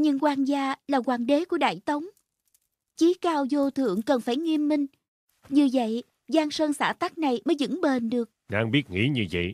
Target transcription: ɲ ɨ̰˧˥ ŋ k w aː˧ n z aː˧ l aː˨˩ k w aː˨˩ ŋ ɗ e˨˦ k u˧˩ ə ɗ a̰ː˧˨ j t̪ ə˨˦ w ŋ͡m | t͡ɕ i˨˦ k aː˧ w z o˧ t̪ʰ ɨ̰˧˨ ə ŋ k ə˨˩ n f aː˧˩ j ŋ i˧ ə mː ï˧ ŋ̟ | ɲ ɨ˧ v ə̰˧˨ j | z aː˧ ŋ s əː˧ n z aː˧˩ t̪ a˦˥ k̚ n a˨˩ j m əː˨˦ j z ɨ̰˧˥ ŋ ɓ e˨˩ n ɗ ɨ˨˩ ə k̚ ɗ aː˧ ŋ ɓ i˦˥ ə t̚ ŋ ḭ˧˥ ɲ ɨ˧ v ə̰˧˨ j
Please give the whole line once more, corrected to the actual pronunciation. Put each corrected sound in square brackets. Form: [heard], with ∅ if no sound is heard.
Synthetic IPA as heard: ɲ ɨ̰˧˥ ŋ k w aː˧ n z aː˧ l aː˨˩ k w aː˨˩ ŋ ɗ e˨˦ k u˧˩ ə ɗ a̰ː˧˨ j t̪ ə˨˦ w ŋ͡m | t͡ɕ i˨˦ k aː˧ w z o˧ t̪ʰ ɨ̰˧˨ ə ŋ k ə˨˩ n f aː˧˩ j ŋ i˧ ə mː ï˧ ŋ̟ | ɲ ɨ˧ v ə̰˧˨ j | z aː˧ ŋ s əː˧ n [s] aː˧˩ t̪ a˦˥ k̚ n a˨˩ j m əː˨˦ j z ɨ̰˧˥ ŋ ɓ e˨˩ n ɗ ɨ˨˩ ə k̚ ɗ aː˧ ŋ ɓ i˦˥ ə t̚ ŋ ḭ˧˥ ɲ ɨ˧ v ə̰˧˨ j